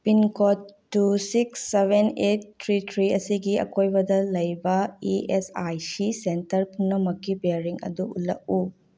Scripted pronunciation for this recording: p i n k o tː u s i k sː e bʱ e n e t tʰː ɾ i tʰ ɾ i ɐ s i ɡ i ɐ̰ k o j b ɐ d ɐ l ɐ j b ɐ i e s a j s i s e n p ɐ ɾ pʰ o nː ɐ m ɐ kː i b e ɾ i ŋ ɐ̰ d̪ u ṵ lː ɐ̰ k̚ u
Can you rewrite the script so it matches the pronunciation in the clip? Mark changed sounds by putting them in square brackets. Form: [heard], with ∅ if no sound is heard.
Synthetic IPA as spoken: p i n k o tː u s i k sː e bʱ e n e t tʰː ɾ i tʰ ɾ i ɐ s i ɡ i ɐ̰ k o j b ɐ d ɐ l ɐ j b ɐ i e s a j s i s e n [t] ɐ ɾ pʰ [u] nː ɐ m ɐ kː i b e ɾ i ŋ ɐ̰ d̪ u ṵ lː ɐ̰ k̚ u